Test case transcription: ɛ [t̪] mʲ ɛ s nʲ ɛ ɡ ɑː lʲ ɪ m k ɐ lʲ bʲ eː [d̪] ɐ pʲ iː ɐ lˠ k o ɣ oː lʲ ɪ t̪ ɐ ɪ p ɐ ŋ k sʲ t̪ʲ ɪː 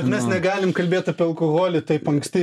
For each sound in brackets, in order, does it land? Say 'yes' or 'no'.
yes, no

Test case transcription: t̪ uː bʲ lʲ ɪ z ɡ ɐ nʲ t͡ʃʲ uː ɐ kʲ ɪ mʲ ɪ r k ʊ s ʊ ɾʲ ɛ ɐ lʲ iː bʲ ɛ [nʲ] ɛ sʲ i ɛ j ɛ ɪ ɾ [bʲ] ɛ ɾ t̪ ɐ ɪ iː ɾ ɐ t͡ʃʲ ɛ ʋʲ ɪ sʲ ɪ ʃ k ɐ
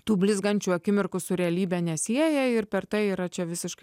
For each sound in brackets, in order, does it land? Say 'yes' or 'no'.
yes, no

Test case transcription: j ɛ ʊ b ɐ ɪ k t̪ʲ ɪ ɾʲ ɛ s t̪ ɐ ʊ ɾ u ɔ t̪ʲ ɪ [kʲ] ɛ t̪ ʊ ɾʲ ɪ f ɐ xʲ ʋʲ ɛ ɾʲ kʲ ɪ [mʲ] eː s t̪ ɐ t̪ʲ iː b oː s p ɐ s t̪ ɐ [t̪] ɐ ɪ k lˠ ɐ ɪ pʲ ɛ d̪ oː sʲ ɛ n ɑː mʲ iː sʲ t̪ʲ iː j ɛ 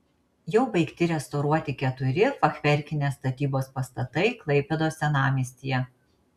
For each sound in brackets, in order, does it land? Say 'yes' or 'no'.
yes, no, yes

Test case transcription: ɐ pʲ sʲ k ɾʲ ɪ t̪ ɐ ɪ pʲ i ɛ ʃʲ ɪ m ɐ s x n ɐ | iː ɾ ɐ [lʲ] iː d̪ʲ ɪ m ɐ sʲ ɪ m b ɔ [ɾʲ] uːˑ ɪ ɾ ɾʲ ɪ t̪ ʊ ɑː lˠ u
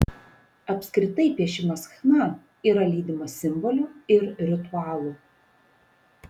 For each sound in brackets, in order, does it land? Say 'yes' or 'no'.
yes, no

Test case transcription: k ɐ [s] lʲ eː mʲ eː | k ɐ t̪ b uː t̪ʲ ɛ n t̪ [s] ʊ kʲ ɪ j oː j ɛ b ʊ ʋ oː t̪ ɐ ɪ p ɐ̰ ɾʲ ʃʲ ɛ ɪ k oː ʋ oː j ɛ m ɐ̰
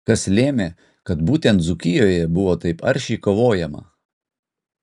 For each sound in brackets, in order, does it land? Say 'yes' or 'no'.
yes, no

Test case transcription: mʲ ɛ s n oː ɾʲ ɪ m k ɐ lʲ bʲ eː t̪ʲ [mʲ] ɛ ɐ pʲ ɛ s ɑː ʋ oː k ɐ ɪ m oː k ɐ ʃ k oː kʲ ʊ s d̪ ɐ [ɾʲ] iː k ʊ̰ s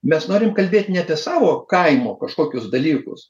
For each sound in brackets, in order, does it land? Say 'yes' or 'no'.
no, no

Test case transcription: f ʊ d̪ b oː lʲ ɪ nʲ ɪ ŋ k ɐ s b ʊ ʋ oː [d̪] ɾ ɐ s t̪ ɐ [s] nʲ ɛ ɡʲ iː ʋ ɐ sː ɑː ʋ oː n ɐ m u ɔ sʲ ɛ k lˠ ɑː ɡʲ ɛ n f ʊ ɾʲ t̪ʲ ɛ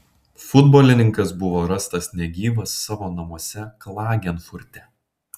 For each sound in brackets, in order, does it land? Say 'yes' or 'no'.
no, yes

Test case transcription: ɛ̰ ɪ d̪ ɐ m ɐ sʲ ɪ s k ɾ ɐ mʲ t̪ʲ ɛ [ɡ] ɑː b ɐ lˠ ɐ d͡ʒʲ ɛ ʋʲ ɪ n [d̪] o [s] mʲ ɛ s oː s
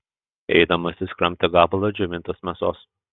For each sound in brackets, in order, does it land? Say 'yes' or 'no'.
yes, no, yes

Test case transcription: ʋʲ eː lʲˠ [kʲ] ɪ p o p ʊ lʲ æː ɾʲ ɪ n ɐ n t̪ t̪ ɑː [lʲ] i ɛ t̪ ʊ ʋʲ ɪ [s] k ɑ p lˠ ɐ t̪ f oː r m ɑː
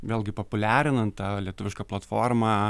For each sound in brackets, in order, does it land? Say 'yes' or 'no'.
no, yes, no

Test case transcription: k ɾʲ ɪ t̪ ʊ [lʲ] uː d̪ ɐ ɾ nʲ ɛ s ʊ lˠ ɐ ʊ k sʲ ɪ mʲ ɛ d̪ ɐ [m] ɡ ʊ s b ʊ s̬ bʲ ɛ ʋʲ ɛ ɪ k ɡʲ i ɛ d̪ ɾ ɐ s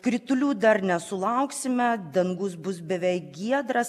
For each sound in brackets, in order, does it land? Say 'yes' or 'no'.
yes, no

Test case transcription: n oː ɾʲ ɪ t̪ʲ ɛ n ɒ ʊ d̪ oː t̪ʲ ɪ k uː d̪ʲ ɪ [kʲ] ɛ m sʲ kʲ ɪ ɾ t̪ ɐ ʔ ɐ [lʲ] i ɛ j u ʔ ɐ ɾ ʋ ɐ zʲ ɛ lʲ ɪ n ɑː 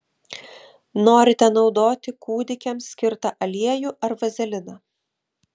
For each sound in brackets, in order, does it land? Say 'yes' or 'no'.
yes, yes

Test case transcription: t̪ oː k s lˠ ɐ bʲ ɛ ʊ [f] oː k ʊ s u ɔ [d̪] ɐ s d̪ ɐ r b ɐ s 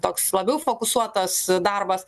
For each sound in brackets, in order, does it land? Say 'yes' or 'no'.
yes, no

